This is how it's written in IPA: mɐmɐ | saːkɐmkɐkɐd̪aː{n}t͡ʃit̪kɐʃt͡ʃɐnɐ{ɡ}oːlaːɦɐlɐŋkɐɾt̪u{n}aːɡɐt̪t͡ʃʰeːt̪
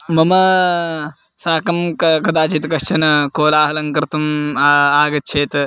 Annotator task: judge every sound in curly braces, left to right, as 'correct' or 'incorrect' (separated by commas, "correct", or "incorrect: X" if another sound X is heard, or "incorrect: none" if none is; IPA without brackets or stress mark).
incorrect: none, incorrect: k, incorrect: m